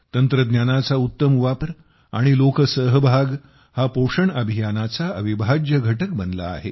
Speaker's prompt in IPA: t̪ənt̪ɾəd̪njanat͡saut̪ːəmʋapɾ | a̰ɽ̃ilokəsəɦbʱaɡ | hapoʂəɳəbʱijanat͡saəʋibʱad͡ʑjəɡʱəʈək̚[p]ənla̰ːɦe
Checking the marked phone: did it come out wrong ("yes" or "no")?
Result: yes